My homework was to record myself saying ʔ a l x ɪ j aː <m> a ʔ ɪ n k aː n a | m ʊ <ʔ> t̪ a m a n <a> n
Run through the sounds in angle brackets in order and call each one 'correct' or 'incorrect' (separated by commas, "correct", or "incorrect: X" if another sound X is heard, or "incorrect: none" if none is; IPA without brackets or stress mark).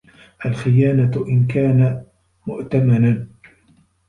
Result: incorrect: n, correct, correct